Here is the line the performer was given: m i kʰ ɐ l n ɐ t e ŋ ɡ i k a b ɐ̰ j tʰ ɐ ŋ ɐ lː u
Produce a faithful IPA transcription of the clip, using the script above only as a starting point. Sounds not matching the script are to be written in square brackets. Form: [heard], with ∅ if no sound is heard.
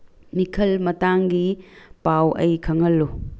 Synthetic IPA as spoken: m i kʰ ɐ l [m] ɐ t [a] ŋ ɡ i [p] a [w] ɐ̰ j [kʰ] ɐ ŋ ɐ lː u